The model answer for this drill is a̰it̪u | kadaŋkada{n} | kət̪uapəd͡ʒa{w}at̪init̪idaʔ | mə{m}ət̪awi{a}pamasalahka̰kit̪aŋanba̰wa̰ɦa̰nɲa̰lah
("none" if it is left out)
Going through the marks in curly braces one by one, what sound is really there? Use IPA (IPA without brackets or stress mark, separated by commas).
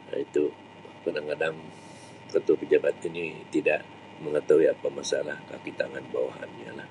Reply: ŋ, b, ŋ, a